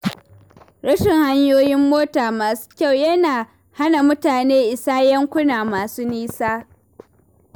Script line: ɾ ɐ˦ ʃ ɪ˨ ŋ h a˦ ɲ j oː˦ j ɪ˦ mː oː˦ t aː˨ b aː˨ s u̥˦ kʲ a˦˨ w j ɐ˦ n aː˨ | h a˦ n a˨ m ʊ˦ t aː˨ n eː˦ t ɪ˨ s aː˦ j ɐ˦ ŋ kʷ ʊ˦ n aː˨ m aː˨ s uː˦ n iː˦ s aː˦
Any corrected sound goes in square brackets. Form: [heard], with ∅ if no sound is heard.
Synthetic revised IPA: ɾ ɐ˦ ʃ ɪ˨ ŋ h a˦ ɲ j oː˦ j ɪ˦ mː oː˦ t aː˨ [m] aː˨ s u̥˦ kʲ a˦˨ w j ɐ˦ n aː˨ | h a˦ n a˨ m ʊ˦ t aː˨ n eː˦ [ʔ] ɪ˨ s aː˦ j ɐ˦ ŋ kʷ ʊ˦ n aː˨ m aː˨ s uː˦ n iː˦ s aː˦